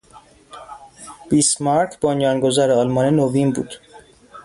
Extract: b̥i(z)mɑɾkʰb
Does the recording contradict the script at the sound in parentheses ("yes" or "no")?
yes